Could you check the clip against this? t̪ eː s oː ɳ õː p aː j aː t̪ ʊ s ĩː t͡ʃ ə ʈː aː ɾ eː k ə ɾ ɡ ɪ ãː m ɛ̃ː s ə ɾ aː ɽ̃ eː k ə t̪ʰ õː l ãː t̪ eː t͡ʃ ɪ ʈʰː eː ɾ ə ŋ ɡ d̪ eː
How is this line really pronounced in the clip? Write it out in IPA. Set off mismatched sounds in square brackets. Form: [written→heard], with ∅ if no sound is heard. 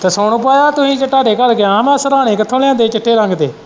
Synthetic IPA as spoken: t̪ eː s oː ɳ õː p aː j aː t̪ ʊ s ĩː t͡ʃ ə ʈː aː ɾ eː k ə ɾ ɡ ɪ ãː m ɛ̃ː s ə ɾ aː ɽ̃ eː k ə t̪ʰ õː l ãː [t̪→d̪] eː t͡ʃ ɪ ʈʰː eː ɾ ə ŋ ɡ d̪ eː